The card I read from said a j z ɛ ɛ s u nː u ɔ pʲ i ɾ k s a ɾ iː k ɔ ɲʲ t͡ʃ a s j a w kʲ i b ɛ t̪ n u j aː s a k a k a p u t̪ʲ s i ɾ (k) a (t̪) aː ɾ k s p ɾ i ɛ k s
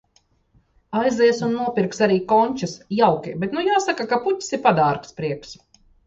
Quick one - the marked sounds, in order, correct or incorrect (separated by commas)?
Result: incorrect, incorrect